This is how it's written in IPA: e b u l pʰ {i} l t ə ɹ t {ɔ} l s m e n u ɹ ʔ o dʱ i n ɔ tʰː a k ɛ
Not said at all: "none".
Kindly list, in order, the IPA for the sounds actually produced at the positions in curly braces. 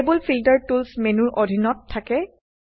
i, u

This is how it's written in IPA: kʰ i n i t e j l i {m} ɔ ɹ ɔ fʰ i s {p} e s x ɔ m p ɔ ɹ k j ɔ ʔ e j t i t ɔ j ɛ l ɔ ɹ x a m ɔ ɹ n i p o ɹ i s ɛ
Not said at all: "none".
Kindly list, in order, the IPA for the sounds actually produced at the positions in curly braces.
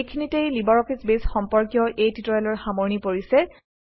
b, b

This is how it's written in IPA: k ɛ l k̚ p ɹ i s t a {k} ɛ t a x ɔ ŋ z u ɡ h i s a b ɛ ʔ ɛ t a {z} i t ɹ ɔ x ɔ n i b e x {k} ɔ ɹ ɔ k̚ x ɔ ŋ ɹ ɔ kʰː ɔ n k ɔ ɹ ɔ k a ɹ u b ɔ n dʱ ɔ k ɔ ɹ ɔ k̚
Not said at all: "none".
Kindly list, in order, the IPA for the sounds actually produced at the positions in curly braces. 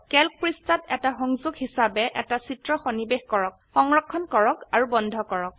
t, s, k

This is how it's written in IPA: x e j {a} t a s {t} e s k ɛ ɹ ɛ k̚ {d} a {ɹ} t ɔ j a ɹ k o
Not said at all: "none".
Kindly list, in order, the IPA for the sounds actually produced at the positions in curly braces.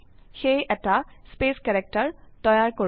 ɛ, p, t, ɹ

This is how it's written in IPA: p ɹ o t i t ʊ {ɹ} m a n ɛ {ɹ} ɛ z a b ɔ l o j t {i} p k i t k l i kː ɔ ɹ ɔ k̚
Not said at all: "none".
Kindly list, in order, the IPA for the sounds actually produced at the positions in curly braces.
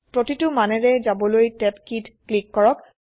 none, ɹ, ɛ

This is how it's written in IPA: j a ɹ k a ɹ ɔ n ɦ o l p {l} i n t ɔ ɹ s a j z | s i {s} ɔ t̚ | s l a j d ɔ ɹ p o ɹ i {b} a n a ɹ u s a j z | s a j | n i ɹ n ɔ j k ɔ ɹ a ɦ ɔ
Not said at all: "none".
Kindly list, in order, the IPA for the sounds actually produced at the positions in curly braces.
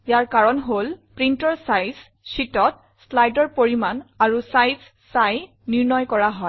ɹ, t, m

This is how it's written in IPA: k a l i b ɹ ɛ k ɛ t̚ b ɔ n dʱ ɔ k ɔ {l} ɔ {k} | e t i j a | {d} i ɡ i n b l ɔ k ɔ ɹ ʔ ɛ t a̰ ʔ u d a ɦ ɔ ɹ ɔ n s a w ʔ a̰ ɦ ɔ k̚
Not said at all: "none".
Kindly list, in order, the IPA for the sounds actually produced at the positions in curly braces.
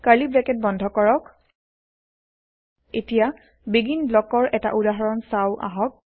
ɹ, k, b

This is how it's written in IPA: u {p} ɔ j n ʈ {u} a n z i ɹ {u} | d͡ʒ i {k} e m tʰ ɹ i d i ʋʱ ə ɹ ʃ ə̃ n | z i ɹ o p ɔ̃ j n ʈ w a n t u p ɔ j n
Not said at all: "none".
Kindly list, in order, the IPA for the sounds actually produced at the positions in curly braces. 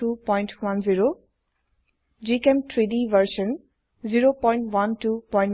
p, w, o, k

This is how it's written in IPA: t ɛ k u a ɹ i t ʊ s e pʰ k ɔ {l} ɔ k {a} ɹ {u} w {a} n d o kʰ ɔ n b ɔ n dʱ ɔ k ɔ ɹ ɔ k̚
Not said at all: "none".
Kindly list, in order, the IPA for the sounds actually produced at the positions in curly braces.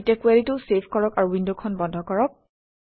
ɹ, a, u, i

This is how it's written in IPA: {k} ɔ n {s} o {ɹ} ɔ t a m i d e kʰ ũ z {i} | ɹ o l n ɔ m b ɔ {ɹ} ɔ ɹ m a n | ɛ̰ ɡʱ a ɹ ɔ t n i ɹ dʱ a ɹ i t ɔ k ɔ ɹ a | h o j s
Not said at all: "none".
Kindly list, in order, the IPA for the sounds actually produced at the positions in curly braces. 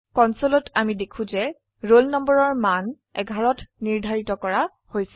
k, s, l, ɛ, ɹ

